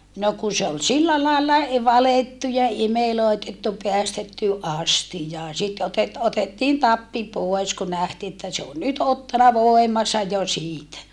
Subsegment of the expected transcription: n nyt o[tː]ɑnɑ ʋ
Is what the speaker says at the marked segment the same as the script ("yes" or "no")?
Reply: yes